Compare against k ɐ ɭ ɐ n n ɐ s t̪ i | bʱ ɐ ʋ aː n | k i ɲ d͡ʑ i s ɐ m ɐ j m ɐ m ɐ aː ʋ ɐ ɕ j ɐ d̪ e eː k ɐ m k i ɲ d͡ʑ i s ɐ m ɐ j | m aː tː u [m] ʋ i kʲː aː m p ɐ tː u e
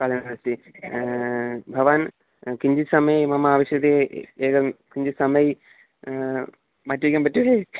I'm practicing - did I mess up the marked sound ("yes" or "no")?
yes